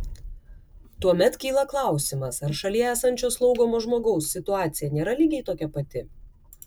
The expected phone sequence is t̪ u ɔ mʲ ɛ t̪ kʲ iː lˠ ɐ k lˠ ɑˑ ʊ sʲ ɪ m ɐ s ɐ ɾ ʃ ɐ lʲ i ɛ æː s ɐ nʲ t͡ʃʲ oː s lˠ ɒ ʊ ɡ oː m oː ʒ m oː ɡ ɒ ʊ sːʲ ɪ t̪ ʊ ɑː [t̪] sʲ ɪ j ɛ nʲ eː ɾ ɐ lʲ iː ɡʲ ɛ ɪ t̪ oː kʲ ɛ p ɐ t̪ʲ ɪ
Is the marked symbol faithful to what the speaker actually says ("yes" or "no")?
yes